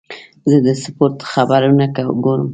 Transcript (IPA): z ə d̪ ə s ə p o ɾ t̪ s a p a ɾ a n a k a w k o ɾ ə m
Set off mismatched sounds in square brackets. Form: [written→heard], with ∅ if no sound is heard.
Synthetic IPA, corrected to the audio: z ə d̪ ə s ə p o ɾ t̪ [s→x] a [p→b] a ɾ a n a k a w [k→ɡ] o ɾ ə m